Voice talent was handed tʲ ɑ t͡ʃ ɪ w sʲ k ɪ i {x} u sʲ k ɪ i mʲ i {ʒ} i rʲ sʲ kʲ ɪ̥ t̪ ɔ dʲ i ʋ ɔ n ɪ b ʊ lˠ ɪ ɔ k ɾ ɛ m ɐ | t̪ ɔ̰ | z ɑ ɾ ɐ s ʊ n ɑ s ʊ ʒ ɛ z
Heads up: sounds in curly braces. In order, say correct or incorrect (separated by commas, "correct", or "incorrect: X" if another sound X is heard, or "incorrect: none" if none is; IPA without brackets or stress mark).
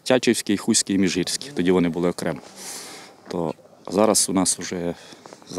correct, correct